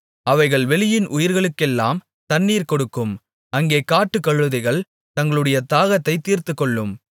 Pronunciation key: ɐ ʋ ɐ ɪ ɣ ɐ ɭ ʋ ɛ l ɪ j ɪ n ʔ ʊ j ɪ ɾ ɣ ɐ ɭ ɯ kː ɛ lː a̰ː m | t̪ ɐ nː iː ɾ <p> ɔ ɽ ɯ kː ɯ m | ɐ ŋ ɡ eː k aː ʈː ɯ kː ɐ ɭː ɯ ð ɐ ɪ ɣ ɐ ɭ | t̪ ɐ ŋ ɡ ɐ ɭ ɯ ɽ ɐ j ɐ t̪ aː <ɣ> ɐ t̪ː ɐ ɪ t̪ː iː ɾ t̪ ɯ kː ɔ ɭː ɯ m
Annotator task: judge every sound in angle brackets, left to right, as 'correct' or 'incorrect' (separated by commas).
incorrect, correct